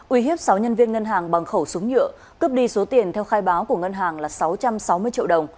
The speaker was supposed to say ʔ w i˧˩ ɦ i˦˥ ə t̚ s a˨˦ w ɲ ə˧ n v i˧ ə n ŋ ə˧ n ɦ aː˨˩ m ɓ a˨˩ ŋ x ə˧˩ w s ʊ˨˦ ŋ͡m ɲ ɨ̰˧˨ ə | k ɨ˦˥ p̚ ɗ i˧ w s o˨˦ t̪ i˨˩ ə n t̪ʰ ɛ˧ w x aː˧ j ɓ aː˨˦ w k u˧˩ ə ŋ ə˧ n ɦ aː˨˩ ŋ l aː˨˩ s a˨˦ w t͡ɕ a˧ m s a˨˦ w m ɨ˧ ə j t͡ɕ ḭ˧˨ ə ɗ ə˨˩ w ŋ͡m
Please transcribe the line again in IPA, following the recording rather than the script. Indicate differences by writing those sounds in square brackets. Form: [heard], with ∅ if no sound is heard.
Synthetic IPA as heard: ʔ w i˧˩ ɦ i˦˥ ə [p̚] s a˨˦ w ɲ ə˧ n v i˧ ə n ŋ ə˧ n ɦ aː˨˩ [ŋ] ɓ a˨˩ ŋ x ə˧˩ w s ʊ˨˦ ŋ͡m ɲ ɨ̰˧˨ ə | k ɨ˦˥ p̚ ɗ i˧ [∅] s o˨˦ t̪ i˨˩ ə n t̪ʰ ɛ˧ w x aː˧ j ɓ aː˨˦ w k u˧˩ ə ŋ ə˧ n ɦ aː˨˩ ŋ l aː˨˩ s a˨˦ w t͡ɕ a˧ m s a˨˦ w m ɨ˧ ə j t͡ɕ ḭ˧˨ ə ɗ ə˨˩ w ŋ͡m

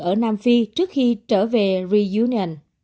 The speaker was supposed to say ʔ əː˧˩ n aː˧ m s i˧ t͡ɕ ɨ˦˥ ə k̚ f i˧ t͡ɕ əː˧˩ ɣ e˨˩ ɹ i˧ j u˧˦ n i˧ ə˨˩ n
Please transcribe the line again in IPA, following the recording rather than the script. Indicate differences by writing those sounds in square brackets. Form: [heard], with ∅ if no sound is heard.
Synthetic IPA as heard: ʔ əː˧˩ n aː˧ m [f] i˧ t͡ɕ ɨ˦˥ ə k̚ [x] i˧ t͡ɕ əː˧˩ [v] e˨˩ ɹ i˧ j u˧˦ n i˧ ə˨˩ n

